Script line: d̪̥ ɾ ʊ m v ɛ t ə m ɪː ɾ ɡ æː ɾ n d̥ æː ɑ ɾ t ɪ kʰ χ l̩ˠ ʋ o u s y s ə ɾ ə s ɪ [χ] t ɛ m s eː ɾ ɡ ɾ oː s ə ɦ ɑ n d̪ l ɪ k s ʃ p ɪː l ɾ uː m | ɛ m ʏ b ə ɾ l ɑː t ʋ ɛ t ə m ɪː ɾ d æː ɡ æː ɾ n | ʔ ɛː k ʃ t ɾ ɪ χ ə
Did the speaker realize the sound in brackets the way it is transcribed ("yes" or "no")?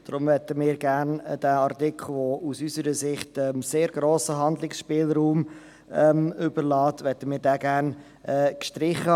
yes